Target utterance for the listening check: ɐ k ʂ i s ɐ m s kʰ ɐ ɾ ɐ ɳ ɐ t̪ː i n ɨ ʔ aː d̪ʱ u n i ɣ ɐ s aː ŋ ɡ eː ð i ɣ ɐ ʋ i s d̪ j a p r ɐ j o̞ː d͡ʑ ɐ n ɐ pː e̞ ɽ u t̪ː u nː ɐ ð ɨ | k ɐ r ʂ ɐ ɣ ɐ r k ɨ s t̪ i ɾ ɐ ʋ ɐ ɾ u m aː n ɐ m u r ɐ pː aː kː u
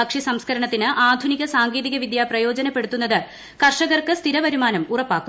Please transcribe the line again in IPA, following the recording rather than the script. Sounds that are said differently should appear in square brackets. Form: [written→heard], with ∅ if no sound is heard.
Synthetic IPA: ɐ k ʂ i s ɐ m s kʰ ɐ ɾ ɐ ɳ ɐ t̪ː i n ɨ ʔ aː d̪ʱ u n i ɣ ɐ s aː ŋ ɡ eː ð i ɣ ɐ ʋ i [s→∅] d̪ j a p r ɐ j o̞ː d͡ʑ ɐ n ɐ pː e̞ ɽ u t̪ː u nː ɐ ð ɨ | k ɐ r ʂ ɐ ɣ ɐ r k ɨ s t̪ i ɾ ɐ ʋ ɐ ɾ u m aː n ɐ m u r ɐ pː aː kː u